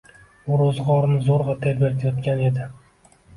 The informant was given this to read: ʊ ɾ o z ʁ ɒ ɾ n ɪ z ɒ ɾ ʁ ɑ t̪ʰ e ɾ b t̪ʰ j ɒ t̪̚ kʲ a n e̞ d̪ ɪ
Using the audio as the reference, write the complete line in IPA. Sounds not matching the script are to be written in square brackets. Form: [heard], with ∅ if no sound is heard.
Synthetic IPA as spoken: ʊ ɾ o z ʁ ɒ ɾ n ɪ z [o] ɾ ʁ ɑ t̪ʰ e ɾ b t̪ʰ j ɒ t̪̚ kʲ a n e̞ d̪ ɪ